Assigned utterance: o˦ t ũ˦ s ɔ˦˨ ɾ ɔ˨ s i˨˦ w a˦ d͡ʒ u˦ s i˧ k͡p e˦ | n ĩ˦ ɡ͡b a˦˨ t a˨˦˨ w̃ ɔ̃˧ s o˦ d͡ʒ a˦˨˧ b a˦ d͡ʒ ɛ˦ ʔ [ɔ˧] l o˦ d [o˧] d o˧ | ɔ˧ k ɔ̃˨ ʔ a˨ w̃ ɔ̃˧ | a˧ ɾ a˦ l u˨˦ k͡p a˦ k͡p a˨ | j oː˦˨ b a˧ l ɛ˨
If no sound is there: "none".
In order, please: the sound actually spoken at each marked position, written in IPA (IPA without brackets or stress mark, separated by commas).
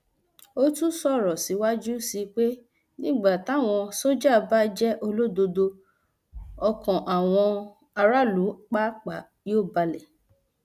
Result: o˧, o˧